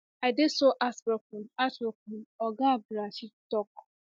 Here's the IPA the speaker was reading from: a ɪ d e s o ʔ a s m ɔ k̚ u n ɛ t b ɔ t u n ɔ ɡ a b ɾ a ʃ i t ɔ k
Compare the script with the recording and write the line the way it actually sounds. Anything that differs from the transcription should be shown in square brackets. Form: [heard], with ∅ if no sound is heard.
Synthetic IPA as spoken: a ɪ d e s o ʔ a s [b] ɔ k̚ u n [a] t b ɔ [k] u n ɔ ɡ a b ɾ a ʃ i t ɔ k

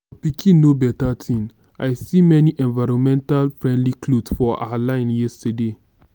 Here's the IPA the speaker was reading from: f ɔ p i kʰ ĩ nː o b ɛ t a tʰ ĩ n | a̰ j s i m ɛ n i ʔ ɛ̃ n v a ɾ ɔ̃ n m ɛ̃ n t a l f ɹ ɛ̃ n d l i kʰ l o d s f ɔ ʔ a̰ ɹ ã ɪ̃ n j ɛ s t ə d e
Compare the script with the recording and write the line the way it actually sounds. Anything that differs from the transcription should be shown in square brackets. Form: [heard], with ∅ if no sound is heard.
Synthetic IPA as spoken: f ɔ p i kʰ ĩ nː o b ɛ t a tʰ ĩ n | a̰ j s i m ɛ n i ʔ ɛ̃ n v a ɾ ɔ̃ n m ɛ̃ n t a l f ɹ ɛ̃ n d l i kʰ l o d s f ɔ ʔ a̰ [l] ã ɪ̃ n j ɛ s t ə d e

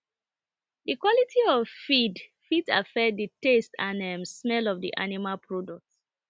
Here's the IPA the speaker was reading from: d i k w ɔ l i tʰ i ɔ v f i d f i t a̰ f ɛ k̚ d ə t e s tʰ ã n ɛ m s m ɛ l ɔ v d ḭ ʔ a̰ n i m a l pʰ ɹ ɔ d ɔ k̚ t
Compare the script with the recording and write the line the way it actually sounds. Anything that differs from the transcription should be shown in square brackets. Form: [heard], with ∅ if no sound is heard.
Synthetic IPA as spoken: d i k w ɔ l i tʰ i ɔ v f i d f i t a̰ f ɛ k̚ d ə t e s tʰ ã n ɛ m s m ɛ l ɔ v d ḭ ʔ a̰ n i m a l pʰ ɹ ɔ d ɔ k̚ t

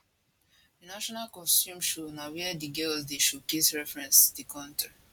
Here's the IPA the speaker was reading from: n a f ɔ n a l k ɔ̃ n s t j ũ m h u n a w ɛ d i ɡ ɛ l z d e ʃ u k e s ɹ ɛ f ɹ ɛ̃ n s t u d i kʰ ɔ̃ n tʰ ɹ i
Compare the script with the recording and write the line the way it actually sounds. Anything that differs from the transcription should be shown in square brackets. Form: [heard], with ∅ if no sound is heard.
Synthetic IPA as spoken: n a [ʃ] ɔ n a l k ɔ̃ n s t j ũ m [ʃ] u n a w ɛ d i ɡ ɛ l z d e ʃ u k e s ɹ ɛ f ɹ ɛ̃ n s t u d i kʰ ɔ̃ n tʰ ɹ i

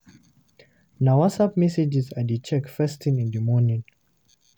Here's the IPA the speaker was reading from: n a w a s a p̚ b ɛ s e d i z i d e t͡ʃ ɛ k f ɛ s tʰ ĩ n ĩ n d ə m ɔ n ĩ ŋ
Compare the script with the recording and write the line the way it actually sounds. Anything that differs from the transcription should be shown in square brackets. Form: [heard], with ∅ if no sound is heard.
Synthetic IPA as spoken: n a w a s a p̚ [m] ɛ s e [d͡ʒ] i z [a] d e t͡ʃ ɛ k f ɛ s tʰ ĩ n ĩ n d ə m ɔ n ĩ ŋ

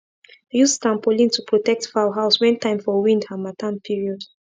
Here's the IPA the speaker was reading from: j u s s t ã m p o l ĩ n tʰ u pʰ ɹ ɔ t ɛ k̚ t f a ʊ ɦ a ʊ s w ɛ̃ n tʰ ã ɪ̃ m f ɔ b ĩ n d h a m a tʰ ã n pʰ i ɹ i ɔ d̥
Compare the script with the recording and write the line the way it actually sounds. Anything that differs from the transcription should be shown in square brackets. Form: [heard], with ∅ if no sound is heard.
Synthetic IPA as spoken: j u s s t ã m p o l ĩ n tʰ u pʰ ɹ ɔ t ɛ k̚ t f a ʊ ɦ a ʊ s w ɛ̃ n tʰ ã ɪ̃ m f ɔ [w] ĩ n d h a m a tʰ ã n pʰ i ɹ i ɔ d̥

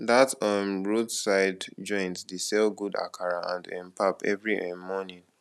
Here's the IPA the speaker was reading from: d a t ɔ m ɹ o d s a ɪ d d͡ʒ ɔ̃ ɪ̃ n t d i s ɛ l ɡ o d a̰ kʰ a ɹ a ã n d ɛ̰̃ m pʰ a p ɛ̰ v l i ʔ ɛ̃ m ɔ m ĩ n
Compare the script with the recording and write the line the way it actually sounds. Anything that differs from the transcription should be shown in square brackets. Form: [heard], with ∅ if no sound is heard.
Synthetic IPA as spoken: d a t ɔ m ɹ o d s a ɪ d d͡ʒ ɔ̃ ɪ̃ n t d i s ɛ l ɡ [u] d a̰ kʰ a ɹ a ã n d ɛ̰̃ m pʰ a p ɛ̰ v [ɹ] i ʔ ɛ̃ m ɔ [n] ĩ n

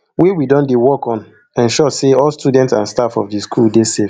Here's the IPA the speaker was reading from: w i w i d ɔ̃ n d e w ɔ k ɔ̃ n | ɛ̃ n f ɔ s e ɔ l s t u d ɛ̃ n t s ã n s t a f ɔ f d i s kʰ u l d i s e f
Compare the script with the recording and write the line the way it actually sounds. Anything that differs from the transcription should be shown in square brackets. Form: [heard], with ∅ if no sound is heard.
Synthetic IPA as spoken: w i w i d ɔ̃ n d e w ɔ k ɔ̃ n | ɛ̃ n [ʃ] ɔ s e ɔ l s t u d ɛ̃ n t s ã n s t a f ɔ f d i s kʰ u l d [e] s e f

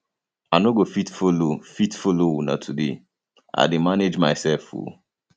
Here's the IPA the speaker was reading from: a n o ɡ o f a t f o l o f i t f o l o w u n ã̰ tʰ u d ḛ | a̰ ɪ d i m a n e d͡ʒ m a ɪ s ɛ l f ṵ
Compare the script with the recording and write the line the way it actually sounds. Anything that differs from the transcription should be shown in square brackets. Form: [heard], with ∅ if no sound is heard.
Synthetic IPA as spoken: a n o ɡ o f [i] t f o l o f i t f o l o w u n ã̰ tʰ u d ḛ | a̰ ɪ d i m a n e d͡ʒ m a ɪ s ɛ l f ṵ

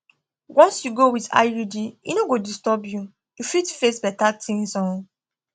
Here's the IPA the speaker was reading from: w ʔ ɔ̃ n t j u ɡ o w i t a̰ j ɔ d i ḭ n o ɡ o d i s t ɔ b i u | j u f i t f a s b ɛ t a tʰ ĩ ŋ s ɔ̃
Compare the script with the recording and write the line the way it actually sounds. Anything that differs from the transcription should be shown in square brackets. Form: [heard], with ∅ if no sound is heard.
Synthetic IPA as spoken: w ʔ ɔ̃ n [s] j u ɡ o w i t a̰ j [u] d i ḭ n o ɡ o d i s t ɔ b [j] u | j u f i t f [e] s b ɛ t a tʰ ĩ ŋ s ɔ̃

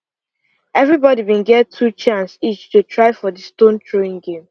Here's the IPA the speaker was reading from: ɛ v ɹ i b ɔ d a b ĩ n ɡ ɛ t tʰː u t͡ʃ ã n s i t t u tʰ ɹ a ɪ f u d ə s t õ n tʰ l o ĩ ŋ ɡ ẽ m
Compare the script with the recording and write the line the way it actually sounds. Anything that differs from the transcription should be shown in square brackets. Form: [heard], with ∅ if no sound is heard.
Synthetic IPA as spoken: ɛ v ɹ i b ɔ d [i] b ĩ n ɡ ɛ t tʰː u t͡ʃ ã n s i [t͡ʃ] t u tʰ ɹ a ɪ f [ɔ] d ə s t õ n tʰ [ɹ] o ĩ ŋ ɡ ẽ m

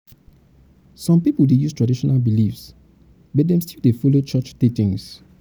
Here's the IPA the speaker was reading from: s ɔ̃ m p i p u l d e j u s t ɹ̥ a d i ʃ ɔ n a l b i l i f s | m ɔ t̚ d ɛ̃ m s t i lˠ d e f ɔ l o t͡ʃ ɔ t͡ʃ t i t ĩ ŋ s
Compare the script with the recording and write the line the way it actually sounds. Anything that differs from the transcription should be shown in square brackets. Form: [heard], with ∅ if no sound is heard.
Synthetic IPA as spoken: s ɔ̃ m p i p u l d e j u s t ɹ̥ a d i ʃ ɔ n a l b i l i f s | [b] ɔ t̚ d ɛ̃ m s t i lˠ d e f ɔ l o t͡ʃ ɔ t͡ʃ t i t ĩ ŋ s

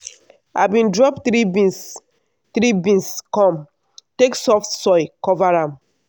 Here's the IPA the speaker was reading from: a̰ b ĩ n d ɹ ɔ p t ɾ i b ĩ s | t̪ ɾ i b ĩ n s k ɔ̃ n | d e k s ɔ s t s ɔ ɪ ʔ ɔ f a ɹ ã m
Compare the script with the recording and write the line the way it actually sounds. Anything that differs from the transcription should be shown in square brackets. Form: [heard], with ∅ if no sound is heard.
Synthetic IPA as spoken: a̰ b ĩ n d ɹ ɔ p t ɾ i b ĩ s | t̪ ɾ i b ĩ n s k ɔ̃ [m] | [t] e k s ɔ [f] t s ɔ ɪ [k] ɔ [v] a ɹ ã m

